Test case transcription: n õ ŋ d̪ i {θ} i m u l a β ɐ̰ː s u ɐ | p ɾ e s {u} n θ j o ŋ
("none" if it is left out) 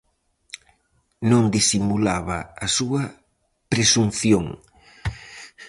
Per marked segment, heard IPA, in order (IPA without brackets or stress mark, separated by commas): s, u